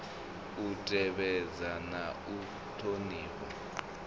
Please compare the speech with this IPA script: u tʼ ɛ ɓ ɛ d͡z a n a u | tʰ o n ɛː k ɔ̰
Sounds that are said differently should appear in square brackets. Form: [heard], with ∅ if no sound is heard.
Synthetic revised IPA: u tʼ ɛ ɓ ɛ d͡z a n a u | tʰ o n [iː] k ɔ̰